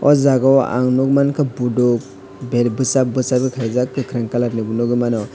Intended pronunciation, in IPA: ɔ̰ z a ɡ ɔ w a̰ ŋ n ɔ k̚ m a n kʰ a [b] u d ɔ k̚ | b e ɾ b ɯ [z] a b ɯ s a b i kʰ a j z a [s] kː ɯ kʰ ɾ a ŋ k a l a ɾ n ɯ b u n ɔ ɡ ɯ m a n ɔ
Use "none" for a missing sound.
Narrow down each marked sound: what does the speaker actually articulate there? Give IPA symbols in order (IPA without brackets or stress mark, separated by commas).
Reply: b, s, none